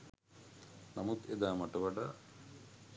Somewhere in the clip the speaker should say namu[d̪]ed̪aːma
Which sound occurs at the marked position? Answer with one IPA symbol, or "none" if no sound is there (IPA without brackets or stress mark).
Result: t̪